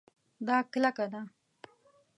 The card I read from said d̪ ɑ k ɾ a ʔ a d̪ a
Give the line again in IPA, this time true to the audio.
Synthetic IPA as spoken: d̪ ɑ k l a k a d̪ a